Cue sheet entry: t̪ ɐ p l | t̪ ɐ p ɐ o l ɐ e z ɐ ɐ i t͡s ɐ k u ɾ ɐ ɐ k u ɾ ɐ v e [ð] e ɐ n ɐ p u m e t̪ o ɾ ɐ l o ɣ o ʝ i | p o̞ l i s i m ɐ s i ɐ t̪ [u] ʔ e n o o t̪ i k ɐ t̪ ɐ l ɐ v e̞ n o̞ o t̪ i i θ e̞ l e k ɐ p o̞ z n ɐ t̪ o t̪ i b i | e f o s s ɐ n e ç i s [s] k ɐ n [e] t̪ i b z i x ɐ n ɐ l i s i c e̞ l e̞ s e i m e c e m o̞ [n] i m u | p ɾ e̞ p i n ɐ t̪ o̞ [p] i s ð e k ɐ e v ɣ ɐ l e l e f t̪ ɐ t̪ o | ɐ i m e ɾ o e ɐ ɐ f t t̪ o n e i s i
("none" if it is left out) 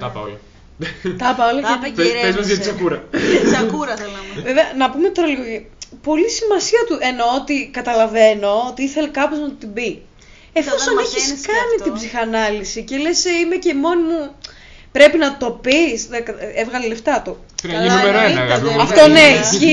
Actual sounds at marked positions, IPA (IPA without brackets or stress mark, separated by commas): v, u, s, i, n, p